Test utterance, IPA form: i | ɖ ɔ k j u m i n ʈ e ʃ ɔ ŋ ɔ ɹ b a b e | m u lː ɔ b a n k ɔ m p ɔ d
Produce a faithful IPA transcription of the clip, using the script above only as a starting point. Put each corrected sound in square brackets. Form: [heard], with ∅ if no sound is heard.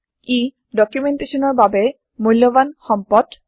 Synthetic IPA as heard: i | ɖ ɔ k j u m [e] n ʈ e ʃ ɔ [n] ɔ ɹ b a b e | m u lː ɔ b a n [x] ɔ m p ɔ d